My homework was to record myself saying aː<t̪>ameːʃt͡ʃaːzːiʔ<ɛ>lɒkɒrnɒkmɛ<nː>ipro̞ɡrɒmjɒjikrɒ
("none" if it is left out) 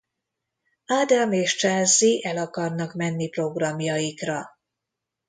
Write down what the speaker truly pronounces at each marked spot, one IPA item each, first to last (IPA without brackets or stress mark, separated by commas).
d̪, ɛ, nː